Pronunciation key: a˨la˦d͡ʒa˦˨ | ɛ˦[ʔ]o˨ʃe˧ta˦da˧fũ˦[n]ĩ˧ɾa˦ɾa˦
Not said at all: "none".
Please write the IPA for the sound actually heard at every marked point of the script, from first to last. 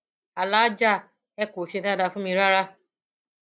k, m

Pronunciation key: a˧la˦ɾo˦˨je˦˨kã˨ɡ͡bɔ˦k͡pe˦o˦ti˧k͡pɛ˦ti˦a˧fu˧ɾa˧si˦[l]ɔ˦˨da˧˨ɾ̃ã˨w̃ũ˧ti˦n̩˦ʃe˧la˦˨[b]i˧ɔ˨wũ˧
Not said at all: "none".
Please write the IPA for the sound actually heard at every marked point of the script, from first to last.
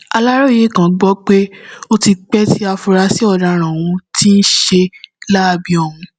none, b

